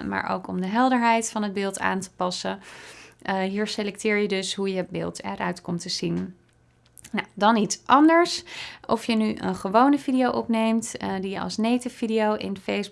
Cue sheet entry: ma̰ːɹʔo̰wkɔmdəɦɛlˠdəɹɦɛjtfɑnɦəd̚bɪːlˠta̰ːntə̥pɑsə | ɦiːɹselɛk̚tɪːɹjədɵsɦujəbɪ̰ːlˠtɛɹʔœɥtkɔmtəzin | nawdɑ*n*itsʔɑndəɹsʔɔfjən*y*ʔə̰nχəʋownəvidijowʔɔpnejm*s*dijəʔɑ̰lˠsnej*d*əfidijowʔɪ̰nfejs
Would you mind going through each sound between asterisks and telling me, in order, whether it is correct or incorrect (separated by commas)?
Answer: correct, correct, incorrect, incorrect